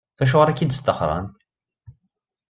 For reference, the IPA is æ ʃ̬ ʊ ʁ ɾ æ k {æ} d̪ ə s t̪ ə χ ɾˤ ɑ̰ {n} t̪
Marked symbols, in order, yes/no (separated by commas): no, yes